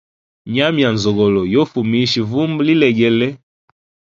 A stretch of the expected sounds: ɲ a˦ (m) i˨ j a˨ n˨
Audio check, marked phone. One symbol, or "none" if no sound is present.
m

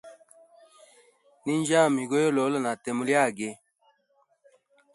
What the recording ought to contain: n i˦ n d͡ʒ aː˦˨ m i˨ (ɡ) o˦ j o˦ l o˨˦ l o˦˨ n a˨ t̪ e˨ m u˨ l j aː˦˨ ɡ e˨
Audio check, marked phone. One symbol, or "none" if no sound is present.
ɡ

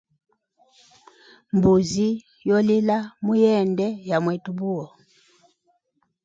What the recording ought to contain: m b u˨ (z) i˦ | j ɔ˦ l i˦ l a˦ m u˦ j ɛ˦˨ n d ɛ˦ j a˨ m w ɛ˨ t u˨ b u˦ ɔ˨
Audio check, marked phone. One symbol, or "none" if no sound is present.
z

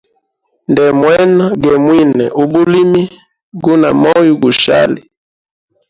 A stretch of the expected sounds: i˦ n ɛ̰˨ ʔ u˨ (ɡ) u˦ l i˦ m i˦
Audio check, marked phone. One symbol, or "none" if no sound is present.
b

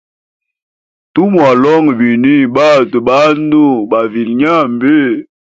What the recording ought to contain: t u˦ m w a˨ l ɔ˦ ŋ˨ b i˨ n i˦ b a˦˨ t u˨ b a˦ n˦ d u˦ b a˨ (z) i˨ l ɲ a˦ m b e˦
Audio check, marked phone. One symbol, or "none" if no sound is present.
v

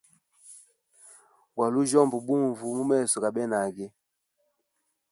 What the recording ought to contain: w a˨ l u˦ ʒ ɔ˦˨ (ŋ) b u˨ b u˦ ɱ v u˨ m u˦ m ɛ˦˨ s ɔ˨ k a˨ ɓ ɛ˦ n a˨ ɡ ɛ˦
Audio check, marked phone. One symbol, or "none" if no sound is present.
m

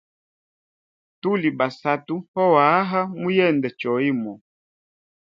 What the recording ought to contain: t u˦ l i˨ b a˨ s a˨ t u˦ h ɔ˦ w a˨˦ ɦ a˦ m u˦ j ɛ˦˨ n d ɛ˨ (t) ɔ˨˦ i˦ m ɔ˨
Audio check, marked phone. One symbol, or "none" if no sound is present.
t͡ʃ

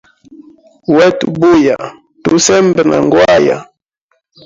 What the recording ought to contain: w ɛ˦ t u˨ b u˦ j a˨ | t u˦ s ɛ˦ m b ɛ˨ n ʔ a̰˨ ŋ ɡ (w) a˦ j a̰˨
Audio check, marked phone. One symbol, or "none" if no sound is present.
w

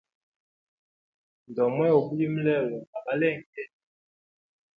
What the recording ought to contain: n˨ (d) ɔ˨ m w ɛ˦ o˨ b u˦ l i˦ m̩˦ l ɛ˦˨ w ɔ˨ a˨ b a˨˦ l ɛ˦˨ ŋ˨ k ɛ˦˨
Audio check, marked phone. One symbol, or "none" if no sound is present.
d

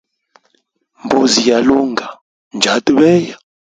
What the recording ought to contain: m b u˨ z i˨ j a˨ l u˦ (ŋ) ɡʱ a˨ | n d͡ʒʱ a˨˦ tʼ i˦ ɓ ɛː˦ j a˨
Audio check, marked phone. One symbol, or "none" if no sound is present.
ŋ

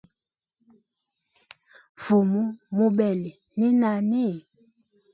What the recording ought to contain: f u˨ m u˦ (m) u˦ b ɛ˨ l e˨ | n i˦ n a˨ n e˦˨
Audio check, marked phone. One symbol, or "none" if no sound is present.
m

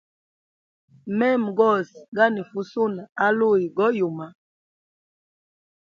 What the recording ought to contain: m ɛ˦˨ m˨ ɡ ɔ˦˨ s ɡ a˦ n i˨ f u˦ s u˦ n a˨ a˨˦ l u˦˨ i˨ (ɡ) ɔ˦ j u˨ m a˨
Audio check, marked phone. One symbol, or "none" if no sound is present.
ɡ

